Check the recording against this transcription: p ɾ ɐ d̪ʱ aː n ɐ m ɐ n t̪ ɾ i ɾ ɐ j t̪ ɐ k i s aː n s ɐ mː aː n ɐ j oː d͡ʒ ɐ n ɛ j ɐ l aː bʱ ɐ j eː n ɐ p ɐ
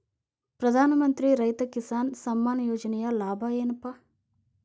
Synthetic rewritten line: p ɾ ɐ d̪ʱ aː n ɐ m ɐ n t̪ ɾ i ɾ ɐ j t̪ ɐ k i s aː n s ɐ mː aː n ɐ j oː d͡ʒ ɐ n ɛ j ɐ l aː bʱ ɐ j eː n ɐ p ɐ